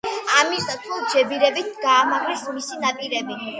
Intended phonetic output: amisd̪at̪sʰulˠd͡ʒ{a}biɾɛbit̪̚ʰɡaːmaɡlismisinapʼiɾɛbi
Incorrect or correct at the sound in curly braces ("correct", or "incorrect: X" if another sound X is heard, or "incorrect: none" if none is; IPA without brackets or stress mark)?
incorrect: ɛ